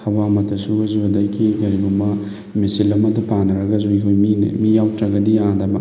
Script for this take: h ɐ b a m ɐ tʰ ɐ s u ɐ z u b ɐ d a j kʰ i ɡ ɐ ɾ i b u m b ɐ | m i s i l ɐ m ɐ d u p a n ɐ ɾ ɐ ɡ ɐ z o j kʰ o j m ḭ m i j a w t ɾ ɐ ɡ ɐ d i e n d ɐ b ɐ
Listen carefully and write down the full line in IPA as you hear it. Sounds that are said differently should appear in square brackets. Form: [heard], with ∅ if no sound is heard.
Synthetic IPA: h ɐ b a m ɐ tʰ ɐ s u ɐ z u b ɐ d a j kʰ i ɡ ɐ ɾ i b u m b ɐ | m i s i l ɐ m ɐ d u p a n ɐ ɾ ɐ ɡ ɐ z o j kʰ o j m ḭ m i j a w t ɾ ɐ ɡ ɐ d i [a] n d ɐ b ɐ